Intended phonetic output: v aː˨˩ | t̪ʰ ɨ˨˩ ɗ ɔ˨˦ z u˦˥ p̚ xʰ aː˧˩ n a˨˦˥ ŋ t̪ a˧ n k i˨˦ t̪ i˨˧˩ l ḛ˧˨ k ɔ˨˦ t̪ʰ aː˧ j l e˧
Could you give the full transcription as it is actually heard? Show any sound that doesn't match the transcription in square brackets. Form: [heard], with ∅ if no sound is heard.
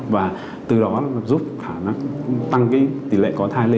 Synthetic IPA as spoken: v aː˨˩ | [t̪] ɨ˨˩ ɗ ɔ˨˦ z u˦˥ p̚ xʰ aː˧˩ n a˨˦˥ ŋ t̪ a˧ [ŋ] k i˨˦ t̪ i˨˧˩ l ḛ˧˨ k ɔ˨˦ t̪ʰ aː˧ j l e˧